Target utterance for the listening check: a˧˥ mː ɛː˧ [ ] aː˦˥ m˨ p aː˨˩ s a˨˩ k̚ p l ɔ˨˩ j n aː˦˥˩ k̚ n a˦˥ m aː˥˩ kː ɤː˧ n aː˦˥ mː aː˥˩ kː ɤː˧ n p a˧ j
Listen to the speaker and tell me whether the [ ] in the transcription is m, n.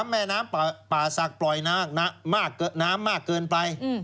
n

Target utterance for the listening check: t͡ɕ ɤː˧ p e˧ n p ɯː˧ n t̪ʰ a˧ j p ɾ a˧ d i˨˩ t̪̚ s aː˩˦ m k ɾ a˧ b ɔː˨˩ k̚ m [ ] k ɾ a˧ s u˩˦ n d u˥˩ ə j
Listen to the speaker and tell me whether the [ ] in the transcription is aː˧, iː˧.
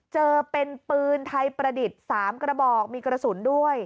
iː˧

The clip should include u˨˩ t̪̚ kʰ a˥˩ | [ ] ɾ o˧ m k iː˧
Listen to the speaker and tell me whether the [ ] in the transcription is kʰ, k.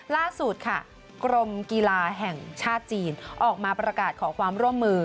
k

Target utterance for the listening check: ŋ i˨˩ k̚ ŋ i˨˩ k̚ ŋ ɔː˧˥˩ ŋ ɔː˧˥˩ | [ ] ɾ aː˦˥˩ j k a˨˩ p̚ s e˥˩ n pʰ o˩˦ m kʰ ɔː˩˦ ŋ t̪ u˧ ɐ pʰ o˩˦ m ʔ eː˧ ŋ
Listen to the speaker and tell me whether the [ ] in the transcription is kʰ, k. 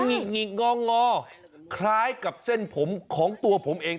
kʰ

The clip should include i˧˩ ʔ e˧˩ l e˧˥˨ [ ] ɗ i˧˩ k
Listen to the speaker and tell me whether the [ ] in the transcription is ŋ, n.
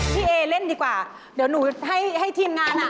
n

